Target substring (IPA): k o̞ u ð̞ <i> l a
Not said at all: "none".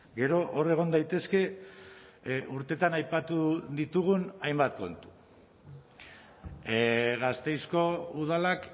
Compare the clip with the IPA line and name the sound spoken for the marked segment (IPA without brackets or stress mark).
a